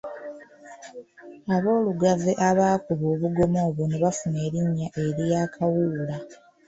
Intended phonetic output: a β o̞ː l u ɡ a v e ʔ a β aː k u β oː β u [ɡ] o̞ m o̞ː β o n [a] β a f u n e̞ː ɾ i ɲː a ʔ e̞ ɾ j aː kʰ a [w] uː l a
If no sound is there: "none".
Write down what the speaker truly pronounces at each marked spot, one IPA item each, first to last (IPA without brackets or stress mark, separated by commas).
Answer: ɡ, e, w